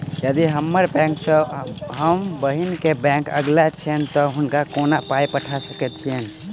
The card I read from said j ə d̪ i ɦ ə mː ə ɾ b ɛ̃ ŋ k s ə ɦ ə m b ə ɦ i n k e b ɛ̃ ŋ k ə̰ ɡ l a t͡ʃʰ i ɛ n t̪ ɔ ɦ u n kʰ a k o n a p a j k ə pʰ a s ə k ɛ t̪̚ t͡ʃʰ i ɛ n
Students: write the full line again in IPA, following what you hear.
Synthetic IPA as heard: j ə d̪ i ɦ ə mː ə ɾ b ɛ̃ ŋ k s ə ɦ ə m b ə ɦ i n k e b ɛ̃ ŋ k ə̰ ɡ l a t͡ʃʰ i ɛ n t̪ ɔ ɦ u n k a k o n a p a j p ə ʈʰ a s ə k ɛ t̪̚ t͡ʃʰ i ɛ n

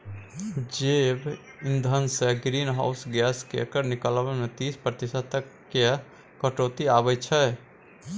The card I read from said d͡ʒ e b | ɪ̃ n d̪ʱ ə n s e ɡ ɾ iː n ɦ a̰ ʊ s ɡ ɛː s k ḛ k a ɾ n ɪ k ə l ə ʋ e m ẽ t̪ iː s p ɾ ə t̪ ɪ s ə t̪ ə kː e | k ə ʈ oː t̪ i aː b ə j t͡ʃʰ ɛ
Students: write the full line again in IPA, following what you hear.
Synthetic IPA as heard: d͡ʒ e b | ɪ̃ n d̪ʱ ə n s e ɡ ɾ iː n ɦ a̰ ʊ s ɡ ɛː s k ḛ k ə ɾ n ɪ k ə l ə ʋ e m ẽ t̪ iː s p ɾ ə t̪ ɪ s ə t̪ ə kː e | k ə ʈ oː t̪ i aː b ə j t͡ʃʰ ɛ

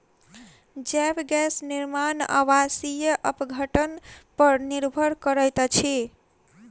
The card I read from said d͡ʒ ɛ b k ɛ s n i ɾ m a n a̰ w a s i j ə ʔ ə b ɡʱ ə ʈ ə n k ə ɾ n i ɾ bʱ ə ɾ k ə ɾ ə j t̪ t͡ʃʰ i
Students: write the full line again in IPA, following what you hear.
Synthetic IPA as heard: d͡ʒ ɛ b ɡ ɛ s n i ɾ m a n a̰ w a s i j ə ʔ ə p ɡʱ ə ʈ ə n p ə ɾ n i ɾ bʱ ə ɾ k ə ɾ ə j t̪ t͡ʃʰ i

